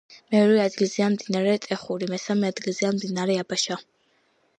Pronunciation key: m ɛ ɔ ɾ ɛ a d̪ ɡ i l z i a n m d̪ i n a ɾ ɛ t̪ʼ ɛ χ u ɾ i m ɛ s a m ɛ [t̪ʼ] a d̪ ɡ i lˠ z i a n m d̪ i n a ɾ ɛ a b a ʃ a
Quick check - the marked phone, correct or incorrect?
incorrect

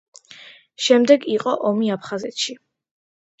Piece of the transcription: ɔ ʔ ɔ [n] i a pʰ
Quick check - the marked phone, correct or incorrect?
incorrect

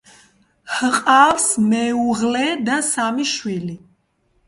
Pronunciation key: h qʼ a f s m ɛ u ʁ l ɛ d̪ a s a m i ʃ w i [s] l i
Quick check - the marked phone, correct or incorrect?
incorrect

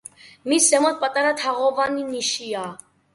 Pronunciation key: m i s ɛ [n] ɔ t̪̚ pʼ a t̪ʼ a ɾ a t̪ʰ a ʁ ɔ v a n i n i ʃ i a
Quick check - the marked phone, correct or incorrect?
incorrect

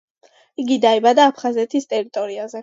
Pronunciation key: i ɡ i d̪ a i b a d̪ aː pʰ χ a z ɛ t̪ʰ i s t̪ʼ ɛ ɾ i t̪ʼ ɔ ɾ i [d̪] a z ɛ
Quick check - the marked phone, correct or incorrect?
incorrect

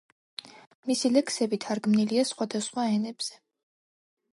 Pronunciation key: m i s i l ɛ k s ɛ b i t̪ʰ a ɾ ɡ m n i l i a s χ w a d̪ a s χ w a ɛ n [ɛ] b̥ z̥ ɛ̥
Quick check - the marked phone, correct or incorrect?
correct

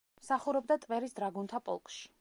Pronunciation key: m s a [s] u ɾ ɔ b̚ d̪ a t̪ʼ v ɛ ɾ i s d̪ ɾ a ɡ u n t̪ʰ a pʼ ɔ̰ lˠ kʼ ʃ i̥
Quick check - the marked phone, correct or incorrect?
incorrect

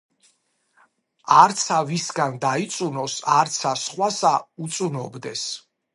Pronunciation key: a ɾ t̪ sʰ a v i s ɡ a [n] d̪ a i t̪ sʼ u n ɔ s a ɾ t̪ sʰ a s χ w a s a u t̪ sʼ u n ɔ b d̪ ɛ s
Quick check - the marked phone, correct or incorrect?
correct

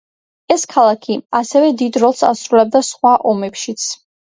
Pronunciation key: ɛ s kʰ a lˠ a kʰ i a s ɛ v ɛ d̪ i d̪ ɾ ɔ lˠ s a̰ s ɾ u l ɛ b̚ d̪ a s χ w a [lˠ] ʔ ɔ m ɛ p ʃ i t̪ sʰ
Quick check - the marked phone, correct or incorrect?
incorrect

